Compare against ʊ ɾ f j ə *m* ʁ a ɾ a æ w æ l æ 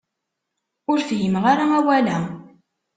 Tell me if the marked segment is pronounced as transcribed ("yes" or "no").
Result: yes